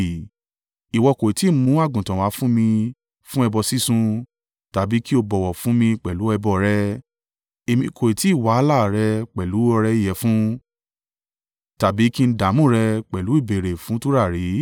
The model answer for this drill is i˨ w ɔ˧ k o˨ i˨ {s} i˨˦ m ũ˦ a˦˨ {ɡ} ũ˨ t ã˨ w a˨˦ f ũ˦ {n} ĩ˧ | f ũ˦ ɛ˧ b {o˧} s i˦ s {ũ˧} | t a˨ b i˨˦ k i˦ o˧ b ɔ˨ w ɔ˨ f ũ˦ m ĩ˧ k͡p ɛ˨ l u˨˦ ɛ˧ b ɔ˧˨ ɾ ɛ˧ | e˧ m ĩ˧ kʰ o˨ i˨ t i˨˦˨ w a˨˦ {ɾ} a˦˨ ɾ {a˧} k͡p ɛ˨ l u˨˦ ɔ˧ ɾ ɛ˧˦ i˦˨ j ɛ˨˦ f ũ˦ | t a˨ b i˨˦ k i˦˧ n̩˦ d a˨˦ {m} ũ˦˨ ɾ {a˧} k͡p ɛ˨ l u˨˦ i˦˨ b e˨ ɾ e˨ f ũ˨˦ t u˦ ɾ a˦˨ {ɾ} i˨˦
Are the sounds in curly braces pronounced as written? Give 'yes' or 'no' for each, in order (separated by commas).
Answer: no, yes, no, no, yes, no, no, yes, no, yes